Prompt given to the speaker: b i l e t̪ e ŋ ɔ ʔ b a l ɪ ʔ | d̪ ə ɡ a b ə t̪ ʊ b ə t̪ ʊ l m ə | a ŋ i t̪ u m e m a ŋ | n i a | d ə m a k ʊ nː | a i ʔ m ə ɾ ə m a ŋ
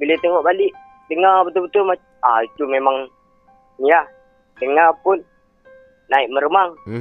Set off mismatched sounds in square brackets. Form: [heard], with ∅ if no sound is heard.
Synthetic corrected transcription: b i l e t̪ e ŋ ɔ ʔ b a l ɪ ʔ | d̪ ə [ŋ] a b ə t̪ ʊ b ə t̪ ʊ l m [a] | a [∅] i t̪ u m e m a ŋ | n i a | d ə [ŋ] a [p] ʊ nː | a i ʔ m ə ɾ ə m a ŋ